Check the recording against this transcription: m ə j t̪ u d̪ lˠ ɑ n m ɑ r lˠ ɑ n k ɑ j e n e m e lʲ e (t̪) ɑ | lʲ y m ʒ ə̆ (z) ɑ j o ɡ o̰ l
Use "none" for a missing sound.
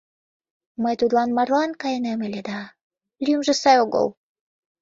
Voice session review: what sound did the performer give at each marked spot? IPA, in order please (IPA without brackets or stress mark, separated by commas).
d̪, s